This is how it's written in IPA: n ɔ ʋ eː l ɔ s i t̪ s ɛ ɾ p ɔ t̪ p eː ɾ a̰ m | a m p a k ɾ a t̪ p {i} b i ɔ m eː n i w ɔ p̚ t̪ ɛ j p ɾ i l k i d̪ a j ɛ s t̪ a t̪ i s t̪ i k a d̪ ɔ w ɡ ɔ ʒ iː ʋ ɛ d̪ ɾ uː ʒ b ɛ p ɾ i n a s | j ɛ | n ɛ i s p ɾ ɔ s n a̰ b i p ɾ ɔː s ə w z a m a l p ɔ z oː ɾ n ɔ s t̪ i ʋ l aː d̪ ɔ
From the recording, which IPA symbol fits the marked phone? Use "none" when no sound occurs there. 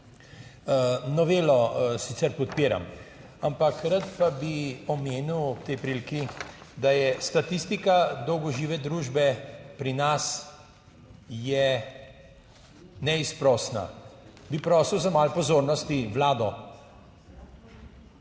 a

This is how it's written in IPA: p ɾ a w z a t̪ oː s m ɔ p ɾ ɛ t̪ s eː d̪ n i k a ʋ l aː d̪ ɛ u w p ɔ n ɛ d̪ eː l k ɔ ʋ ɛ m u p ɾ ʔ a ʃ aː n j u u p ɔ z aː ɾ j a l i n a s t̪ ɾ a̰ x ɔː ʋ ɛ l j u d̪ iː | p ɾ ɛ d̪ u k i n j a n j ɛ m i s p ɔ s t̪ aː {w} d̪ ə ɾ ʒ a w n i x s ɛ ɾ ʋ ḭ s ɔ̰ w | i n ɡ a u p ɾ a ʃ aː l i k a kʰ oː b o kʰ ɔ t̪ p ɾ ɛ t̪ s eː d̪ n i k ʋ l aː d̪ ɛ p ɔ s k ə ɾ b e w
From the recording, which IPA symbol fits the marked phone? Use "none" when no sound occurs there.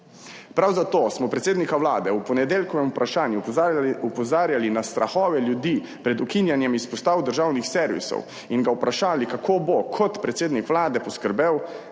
w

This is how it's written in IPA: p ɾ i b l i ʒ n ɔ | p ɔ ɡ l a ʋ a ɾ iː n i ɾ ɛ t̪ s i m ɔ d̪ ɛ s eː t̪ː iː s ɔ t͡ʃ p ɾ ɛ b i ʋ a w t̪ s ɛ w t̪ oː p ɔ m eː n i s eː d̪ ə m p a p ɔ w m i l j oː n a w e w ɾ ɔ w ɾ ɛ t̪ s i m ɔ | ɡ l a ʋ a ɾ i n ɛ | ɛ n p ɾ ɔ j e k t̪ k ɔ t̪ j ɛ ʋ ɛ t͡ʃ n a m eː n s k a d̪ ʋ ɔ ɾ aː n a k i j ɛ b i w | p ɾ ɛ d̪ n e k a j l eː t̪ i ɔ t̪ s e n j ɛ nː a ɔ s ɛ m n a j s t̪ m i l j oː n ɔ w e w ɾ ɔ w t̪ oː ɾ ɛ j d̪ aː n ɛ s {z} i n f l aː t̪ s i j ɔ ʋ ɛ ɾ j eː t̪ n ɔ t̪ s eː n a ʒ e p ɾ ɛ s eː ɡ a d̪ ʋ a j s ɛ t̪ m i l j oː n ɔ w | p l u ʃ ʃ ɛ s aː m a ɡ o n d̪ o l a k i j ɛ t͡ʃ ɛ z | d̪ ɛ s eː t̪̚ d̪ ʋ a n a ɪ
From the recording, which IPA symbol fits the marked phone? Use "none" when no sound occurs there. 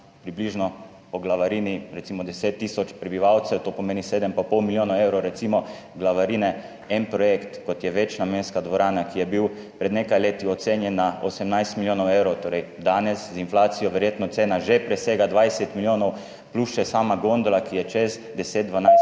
z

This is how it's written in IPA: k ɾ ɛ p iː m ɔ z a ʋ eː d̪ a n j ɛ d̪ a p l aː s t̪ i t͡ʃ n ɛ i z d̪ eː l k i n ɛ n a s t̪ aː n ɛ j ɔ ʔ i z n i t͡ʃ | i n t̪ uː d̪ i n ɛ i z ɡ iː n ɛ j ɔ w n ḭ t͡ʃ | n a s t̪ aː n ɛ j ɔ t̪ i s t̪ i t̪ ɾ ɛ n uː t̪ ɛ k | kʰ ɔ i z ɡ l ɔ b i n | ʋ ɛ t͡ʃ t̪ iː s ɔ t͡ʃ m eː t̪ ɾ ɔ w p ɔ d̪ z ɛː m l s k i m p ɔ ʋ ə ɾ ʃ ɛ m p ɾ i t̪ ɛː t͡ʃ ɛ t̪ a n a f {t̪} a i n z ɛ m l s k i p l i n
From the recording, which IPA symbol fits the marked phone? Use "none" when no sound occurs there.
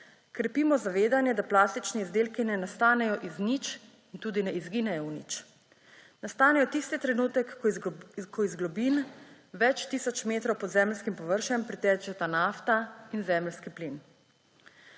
t̪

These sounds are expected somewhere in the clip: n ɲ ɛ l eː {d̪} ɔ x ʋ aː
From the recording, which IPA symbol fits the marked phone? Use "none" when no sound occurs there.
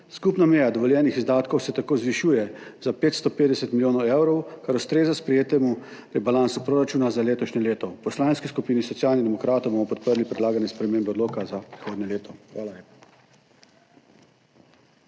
t̪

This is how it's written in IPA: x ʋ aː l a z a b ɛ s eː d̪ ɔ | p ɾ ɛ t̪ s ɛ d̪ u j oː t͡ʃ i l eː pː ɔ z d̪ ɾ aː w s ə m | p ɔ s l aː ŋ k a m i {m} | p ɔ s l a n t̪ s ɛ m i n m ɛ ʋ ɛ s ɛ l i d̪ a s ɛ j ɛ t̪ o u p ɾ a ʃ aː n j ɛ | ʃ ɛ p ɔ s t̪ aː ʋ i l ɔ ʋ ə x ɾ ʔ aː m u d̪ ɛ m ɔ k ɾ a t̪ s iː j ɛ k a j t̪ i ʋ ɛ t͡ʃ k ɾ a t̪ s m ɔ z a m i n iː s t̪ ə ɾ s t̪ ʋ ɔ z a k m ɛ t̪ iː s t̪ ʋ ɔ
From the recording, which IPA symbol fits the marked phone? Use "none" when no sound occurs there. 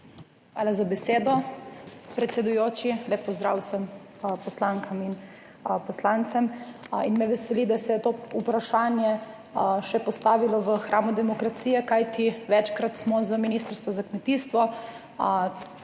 n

